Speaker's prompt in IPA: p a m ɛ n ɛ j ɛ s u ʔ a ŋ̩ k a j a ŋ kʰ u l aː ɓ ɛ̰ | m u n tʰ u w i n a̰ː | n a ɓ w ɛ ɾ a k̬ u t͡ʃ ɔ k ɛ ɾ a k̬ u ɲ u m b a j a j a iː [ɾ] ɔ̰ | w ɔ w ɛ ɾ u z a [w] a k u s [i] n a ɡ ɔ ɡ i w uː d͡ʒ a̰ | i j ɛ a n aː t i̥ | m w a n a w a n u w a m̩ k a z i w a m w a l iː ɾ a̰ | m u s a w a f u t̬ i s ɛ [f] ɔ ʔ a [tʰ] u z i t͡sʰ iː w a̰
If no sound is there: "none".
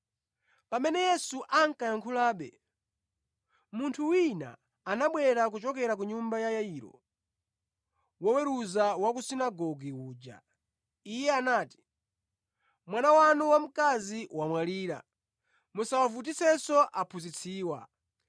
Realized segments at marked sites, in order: ɾ, w, i, s, pʰ

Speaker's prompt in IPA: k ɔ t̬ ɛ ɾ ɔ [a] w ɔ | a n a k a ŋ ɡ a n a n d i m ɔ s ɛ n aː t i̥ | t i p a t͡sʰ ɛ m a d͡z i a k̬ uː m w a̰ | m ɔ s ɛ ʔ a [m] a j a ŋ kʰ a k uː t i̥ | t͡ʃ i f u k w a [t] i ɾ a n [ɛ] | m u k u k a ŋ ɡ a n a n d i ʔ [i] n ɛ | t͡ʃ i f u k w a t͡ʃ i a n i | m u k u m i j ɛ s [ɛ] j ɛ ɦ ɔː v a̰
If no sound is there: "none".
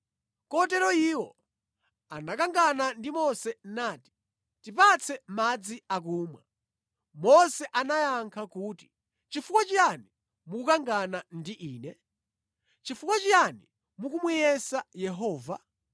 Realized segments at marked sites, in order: i, n, t͡ʃ, i, iː, a

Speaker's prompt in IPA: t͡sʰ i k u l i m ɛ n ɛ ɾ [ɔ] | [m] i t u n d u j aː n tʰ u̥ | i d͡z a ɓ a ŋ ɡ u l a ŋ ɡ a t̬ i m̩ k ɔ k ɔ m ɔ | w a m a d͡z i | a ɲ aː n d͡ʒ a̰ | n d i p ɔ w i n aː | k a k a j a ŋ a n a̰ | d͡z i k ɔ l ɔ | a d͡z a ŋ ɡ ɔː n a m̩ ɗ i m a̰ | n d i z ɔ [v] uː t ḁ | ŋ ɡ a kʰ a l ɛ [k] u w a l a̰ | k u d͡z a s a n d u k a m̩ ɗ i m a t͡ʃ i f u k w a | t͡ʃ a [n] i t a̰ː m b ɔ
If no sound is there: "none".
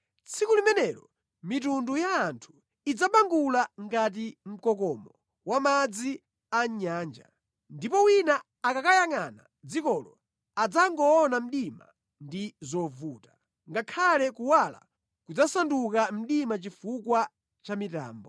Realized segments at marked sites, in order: ɔ, m, v, k, m

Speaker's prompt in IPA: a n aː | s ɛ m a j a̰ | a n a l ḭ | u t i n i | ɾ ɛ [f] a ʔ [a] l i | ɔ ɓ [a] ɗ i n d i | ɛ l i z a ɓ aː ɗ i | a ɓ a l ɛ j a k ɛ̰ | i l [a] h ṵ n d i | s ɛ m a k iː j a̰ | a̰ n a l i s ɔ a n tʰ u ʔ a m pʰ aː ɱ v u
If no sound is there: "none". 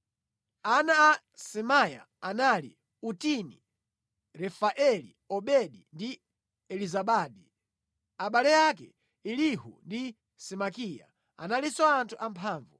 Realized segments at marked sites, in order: f, ɛ, ɛ, i

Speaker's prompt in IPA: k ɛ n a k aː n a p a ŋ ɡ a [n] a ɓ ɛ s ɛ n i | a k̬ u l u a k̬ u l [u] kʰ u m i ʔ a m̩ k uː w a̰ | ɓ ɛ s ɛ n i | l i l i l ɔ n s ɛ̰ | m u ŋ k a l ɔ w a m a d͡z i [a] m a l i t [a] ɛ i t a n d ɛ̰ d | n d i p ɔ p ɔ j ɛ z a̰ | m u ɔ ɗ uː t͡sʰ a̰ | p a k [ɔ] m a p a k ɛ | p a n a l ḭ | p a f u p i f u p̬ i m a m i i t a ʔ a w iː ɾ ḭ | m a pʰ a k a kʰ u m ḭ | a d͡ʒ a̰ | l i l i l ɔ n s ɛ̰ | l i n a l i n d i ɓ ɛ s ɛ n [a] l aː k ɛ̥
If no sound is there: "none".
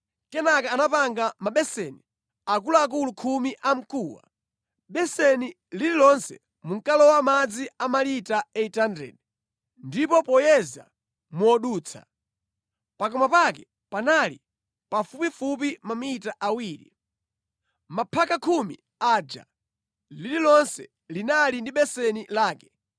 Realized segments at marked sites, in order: m, u, a, a, ɔ, i

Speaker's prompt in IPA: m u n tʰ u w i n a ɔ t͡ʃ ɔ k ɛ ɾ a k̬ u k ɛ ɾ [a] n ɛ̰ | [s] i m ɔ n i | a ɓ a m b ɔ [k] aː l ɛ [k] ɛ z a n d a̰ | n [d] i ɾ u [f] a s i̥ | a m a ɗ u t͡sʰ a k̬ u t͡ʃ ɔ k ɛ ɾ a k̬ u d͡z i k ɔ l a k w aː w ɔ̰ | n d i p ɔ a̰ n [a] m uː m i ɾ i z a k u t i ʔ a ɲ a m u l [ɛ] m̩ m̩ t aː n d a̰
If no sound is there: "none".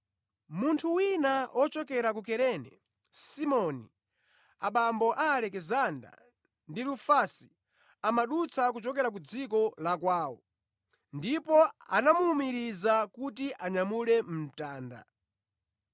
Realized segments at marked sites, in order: ɛ, s, ʔ, k, d, f, a, ɛ

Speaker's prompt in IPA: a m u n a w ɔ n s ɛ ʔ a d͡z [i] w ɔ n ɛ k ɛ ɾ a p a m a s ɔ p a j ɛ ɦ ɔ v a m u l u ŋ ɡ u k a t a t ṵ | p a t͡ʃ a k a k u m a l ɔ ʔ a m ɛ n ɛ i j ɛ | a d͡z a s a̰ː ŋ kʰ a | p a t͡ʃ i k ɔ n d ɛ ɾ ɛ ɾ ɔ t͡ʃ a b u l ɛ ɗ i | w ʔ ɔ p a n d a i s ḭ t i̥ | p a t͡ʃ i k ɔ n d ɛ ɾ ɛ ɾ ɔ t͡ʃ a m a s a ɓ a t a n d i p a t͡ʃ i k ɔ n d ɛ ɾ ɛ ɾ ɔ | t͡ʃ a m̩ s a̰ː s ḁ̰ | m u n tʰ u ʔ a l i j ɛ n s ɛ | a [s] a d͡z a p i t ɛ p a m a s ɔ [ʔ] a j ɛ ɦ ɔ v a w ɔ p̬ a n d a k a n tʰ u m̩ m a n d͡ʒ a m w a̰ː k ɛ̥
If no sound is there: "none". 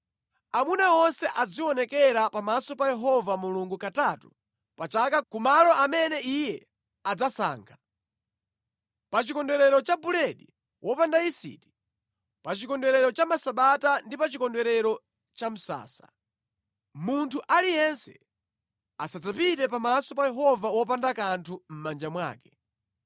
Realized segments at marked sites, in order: i, s, p

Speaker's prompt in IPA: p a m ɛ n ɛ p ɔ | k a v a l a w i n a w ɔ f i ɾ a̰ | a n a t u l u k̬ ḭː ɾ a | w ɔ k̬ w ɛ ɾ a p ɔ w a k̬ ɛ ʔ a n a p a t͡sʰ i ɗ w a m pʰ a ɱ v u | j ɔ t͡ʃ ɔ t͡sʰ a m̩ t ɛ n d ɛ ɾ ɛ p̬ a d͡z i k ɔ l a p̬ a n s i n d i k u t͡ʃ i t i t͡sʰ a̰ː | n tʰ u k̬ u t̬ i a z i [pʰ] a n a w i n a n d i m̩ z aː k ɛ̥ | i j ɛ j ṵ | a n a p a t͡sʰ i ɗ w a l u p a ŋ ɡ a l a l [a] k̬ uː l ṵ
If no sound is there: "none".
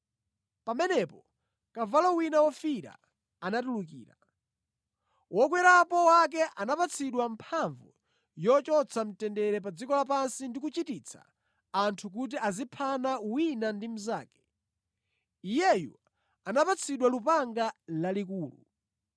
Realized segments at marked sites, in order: pʰ, i

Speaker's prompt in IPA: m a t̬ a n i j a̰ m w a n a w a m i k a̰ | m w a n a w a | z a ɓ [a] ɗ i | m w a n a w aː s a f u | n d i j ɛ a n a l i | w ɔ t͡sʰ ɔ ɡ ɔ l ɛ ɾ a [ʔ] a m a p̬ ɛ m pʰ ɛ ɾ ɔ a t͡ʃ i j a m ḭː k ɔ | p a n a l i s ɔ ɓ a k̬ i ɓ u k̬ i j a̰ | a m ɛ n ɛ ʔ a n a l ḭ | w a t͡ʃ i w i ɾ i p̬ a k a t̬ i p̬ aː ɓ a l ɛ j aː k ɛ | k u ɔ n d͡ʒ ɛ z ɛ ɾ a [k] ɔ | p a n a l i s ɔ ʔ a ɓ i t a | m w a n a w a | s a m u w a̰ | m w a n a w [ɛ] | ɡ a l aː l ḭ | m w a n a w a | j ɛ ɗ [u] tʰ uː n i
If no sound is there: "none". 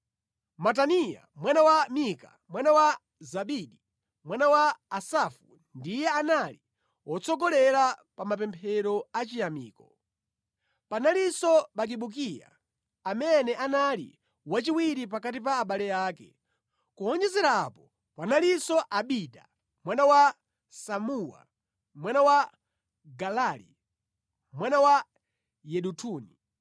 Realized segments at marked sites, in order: i, p, p, a, u

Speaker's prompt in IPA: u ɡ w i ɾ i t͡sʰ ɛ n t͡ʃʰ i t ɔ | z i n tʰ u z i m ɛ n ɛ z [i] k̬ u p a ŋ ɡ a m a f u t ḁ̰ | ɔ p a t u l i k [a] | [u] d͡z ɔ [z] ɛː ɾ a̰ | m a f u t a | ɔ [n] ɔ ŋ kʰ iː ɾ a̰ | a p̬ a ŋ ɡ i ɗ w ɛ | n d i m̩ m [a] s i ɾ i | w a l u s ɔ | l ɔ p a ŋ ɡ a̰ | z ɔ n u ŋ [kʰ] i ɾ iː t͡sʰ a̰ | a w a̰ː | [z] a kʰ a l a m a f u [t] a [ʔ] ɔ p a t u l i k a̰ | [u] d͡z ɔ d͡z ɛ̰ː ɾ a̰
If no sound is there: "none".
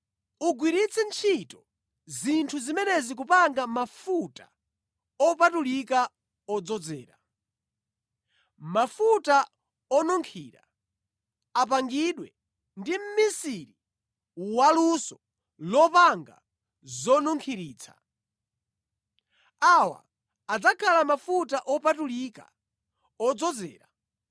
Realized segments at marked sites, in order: i, a, ɔ, d͡z, n, i, kʰ, d͡z, t, ʔ, ɔ

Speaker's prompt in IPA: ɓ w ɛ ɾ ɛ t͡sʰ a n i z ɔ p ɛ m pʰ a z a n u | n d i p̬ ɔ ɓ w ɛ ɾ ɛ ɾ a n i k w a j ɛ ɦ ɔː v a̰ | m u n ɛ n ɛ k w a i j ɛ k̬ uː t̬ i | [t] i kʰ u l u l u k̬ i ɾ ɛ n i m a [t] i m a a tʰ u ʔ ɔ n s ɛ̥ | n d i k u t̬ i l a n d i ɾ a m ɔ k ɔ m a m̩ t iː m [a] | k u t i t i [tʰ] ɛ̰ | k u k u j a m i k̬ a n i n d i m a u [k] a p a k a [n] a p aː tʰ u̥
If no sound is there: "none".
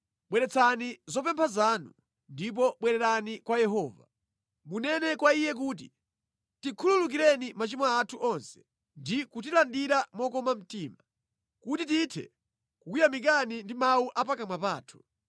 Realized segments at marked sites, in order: t, t͡ʃ, a, tʰ, ʔ, m

